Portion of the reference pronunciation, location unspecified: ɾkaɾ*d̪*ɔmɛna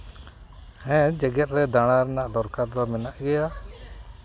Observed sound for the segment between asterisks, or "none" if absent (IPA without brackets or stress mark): d̪